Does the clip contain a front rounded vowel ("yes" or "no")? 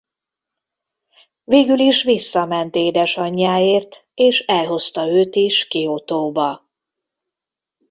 yes